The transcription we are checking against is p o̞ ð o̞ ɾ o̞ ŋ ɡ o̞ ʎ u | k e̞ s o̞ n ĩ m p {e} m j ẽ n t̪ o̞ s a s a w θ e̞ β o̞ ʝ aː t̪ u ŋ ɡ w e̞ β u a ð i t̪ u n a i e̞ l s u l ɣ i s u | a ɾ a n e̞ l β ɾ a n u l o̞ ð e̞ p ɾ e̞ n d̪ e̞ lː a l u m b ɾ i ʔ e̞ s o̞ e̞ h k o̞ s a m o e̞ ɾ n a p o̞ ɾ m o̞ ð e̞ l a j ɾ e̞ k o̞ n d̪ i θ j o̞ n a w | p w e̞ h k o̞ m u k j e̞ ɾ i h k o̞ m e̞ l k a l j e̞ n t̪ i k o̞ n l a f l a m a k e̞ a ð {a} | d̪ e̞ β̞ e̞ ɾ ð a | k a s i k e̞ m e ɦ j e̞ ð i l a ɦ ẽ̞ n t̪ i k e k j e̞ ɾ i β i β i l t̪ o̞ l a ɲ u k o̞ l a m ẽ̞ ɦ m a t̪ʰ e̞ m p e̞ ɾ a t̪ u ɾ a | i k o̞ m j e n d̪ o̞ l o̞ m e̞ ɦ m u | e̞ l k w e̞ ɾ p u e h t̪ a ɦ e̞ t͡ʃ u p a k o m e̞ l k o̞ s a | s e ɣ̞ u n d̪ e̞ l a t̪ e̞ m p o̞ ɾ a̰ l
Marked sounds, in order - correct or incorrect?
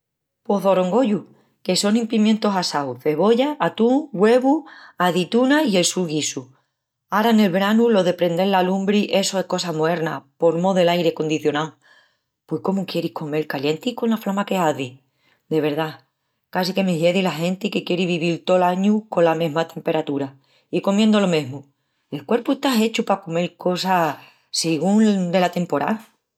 incorrect: i, incorrect: i

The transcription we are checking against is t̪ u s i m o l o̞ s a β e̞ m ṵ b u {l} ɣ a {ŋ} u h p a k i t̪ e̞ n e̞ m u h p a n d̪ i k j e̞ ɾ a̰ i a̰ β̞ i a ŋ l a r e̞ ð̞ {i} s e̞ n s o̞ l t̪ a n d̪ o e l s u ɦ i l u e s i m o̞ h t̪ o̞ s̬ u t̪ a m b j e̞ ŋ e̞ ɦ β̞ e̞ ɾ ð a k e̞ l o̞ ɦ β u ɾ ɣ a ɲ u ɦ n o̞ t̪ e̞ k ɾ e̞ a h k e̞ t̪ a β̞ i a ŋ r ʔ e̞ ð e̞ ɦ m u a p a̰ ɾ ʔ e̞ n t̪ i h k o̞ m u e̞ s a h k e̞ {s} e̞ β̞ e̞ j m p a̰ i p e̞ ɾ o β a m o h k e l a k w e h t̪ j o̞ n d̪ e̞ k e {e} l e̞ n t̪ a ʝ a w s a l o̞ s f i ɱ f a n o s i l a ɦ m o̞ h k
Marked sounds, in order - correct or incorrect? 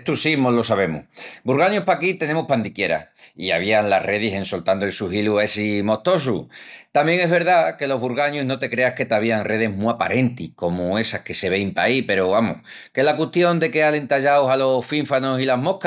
incorrect: ɾ, incorrect: ɲ, correct, correct, incorrect: a

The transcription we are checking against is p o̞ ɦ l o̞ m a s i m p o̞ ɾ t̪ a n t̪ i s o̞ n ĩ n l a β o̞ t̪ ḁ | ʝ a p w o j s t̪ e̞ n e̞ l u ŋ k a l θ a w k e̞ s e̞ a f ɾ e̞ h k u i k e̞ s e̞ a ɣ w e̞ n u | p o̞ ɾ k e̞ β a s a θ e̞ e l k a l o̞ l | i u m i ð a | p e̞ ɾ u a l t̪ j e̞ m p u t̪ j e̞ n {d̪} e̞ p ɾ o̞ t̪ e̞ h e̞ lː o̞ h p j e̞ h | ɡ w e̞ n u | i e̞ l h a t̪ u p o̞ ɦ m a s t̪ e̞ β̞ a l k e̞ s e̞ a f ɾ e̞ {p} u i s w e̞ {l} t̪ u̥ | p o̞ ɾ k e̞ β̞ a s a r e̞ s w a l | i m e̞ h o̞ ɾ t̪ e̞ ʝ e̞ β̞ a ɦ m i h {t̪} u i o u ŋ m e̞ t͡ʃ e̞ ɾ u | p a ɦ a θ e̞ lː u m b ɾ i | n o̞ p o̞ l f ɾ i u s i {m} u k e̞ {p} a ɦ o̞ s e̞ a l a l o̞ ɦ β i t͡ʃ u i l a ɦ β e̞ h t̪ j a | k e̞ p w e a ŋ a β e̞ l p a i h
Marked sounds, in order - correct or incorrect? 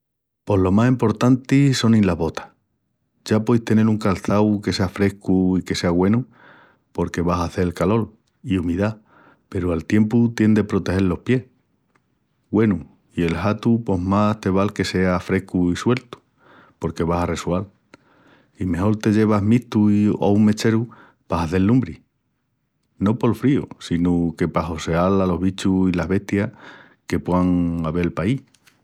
correct, incorrect: k, correct, correct, incorrect: n, correct

